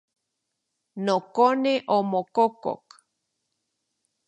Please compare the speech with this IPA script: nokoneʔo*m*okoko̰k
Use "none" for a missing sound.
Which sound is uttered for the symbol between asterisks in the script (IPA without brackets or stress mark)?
m